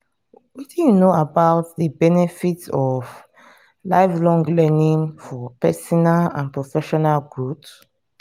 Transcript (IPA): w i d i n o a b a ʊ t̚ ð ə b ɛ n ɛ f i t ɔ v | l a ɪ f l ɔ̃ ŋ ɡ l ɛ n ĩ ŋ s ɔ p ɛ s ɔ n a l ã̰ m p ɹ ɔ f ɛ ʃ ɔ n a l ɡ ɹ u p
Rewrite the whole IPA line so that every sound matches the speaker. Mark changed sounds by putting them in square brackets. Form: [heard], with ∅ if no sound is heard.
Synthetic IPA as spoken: w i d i n o a b a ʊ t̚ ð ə b ɛ n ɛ f i t ɔ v | l a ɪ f l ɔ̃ ŋ ɡ l ɛ n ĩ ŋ [f] ɔ p ɛ s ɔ n a l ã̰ [n] p ɹ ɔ f ɛ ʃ ɔ n a l ɡ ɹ u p